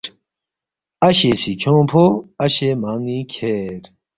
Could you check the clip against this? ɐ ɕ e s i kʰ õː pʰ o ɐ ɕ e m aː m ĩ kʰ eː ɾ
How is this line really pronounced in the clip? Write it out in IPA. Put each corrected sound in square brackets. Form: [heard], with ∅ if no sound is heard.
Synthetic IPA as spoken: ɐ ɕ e s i kʰ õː pʰ o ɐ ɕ e m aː [ŋ] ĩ kʰ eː ɾ